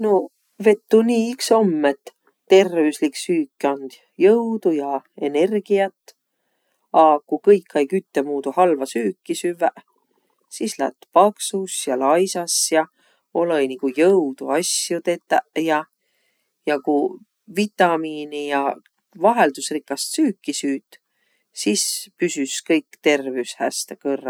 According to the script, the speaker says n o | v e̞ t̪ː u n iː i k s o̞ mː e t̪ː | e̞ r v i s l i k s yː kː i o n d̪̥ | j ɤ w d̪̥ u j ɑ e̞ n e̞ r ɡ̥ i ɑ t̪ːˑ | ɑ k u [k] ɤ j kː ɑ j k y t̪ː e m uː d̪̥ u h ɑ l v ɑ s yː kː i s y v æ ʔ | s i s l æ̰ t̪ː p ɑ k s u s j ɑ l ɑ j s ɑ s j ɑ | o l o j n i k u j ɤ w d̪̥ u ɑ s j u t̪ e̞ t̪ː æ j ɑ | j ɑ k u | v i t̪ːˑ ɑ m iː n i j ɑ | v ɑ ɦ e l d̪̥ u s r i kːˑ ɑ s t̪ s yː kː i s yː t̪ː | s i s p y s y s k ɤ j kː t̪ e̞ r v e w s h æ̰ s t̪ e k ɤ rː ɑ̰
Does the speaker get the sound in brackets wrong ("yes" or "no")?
no